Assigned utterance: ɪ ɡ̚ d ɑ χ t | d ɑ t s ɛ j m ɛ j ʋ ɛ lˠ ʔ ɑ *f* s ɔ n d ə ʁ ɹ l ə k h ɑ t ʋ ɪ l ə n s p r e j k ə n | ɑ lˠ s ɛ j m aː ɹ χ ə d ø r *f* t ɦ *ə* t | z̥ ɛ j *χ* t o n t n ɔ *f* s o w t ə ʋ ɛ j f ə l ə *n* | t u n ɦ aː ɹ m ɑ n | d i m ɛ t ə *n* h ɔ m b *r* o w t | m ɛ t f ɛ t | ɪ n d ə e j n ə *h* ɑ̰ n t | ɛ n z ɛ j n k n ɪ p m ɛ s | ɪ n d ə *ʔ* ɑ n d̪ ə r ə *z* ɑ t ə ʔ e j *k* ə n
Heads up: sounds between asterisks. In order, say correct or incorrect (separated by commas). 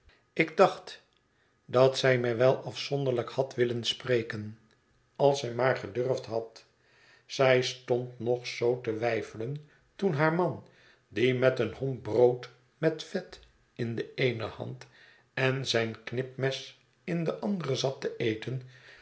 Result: correct, correct, incorrect, incorrect, incorrect, correct, correct, correct, correct, correct, correct, incorrect